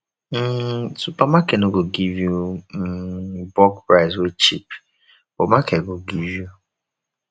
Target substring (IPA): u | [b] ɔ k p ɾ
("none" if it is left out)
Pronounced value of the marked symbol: b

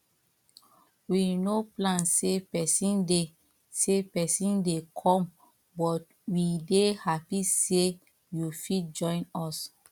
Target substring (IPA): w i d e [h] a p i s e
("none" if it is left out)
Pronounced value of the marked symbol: h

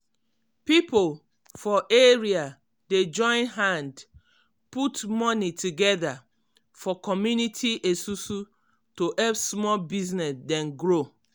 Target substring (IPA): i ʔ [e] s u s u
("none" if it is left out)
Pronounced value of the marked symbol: e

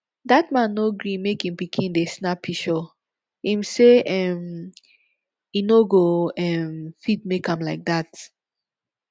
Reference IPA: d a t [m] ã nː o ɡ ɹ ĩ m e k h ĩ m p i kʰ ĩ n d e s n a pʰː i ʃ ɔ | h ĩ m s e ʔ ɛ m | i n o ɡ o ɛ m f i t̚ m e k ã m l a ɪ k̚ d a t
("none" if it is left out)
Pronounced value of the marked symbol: m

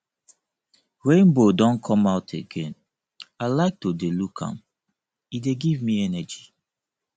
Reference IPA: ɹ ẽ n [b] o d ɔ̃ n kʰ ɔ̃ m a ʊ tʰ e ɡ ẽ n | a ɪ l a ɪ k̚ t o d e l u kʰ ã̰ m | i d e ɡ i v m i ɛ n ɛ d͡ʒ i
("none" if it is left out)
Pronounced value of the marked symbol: b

